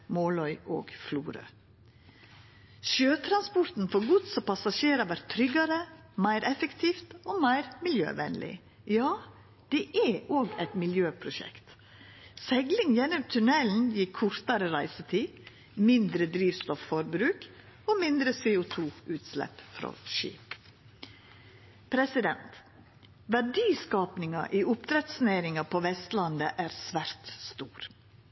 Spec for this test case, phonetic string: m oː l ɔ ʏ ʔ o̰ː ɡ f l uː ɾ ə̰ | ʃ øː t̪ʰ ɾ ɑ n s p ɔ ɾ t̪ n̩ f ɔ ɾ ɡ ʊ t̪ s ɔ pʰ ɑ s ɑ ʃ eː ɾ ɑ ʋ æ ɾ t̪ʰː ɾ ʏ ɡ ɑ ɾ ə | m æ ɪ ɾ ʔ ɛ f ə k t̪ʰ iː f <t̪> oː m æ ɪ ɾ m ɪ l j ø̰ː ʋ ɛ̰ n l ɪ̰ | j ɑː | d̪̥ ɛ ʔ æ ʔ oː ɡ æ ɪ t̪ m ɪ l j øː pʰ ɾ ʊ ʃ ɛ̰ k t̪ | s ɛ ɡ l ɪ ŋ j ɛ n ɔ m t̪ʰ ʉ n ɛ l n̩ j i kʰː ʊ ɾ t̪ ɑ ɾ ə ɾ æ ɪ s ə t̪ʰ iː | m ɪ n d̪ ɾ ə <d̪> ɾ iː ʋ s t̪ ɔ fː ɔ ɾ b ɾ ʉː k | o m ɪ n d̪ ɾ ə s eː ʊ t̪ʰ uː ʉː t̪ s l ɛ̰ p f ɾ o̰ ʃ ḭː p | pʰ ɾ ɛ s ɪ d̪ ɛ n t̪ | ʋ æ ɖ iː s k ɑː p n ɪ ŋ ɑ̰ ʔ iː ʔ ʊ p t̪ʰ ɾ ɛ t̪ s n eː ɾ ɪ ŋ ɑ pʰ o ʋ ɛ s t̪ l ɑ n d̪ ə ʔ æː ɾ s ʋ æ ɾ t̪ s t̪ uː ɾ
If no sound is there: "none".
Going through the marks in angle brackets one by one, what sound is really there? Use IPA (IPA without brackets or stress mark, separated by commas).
t̪, d̪